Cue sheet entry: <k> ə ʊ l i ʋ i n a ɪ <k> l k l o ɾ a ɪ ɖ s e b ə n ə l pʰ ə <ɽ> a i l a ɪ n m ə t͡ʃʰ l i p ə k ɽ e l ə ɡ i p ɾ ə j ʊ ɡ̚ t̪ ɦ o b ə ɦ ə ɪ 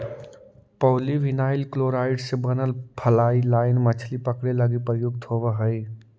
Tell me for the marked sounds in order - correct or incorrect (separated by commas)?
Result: incorrect, incorrect, incorrect